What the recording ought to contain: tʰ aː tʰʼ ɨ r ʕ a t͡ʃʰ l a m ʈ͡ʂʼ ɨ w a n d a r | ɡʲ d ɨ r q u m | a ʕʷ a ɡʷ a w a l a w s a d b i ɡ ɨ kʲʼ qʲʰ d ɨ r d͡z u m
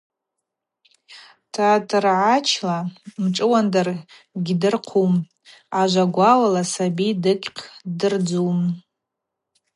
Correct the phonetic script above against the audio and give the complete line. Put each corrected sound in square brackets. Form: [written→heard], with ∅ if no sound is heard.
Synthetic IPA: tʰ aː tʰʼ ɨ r ʕ a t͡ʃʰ l a m ʈ͡ʂʼ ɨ w a n d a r | ɡʲ d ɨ r [q→qʰ] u m | a [ʕʷ→ʒʷ] a ɡʷ a w a l a [w→∅] s a [d→∅] b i [ɡ→d] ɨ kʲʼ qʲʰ d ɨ r d͡z u m